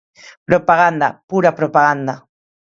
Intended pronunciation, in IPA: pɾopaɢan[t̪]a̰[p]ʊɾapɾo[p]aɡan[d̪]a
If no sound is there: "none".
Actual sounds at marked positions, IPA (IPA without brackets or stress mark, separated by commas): d̪, p, p, d̪